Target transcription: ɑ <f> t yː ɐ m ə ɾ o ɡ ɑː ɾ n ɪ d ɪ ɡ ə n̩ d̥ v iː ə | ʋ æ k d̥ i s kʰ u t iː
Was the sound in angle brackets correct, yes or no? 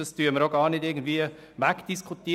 no